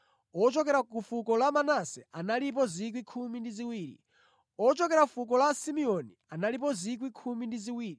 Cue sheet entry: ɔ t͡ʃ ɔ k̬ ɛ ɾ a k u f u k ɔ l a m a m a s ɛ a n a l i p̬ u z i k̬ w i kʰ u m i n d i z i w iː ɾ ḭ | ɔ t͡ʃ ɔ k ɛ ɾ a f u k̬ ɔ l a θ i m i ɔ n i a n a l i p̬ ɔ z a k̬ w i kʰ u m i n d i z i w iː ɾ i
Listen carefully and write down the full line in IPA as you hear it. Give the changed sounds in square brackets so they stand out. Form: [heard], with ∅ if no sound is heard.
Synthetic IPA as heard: ɔ t͡ʃ ɔ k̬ ɛ ɾ a k u f u k ɔ l a m a [n] a s ɛ a n a l i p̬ [ɔ] z i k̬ w i kʰ u m i n d i z i w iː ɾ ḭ | ɔ t͡ʃ ɔ k ɛ ɾ a f u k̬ ɔ l a [s] i m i ɔ n i a n a l i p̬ ɔ z [i] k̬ w i kʰ u m i n d i z i w iː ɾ i